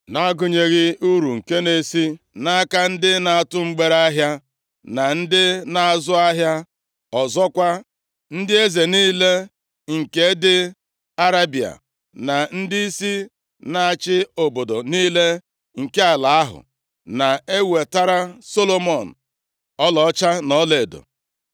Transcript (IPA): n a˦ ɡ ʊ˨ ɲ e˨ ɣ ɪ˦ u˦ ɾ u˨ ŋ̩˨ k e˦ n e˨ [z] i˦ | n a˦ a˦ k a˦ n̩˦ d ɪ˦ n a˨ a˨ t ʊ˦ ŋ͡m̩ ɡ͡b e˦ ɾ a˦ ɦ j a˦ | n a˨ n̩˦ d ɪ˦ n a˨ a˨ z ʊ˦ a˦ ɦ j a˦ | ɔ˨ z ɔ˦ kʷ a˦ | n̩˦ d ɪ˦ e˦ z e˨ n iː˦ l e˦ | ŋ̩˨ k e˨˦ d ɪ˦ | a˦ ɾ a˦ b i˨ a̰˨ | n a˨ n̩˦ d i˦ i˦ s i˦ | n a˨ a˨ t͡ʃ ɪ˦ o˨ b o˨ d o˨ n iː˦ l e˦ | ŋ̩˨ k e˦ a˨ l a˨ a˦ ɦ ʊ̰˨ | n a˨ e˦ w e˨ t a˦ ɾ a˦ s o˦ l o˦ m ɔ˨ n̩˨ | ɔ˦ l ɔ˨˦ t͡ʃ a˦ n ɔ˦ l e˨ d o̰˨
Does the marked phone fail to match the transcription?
yes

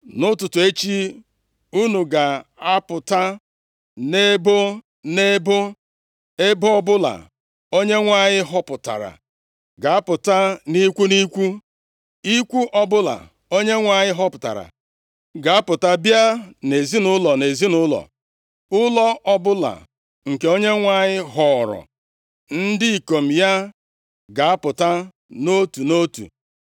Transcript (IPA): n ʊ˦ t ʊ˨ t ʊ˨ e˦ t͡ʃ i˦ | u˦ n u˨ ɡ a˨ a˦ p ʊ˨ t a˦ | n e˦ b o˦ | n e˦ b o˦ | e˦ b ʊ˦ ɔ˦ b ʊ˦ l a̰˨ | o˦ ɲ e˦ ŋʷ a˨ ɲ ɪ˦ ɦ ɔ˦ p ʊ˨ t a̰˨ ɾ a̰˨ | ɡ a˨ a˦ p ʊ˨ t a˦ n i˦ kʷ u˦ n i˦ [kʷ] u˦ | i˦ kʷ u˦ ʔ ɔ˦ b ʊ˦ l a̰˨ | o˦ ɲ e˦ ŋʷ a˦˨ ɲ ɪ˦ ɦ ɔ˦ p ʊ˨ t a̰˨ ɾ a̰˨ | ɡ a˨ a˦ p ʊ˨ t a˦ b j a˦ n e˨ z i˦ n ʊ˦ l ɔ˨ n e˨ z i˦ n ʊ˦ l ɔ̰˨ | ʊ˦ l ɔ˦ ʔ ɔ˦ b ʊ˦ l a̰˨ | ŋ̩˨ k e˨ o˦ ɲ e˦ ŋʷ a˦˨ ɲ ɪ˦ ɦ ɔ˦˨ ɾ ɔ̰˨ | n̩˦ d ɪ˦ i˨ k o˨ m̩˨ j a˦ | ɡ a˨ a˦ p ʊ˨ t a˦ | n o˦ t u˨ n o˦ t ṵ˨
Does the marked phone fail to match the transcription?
no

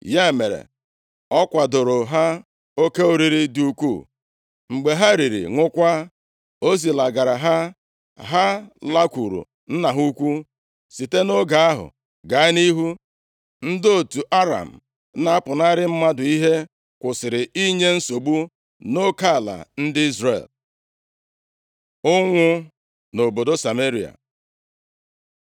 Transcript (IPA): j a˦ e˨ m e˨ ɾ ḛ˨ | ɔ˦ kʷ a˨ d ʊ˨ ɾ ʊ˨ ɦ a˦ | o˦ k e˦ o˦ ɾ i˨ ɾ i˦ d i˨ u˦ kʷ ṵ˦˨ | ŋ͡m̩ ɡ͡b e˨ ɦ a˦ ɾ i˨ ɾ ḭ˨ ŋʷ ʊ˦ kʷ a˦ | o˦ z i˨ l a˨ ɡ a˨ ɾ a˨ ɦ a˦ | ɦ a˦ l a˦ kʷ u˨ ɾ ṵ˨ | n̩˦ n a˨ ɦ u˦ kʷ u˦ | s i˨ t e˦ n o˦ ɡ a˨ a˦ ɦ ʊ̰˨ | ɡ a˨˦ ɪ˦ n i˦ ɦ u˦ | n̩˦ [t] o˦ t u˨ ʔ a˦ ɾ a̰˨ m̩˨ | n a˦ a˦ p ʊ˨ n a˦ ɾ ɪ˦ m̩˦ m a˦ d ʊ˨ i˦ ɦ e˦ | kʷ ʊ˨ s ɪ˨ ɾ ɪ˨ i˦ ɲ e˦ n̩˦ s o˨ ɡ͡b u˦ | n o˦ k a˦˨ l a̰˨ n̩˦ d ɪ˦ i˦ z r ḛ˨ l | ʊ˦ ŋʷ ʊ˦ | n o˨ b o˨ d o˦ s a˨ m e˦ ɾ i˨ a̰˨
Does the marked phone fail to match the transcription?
yes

